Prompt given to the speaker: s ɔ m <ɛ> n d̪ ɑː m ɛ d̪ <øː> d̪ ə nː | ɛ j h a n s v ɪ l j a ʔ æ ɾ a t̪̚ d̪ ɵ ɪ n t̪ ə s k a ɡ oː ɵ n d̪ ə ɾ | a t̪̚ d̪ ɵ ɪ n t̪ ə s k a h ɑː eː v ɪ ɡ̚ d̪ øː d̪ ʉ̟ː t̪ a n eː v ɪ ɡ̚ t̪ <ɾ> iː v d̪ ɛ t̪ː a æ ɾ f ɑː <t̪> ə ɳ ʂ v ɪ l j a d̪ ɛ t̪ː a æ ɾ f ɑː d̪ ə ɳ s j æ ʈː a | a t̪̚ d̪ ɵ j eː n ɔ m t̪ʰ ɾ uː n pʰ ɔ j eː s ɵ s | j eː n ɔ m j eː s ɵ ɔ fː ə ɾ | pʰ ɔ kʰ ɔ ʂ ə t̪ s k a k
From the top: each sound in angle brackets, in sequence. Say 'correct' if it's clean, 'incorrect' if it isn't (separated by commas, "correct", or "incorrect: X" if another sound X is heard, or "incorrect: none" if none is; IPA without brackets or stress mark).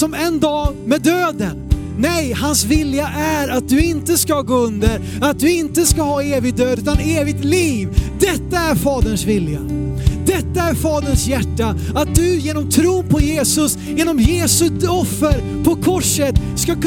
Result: correct, correct, incorrect: l, incorrect: d̪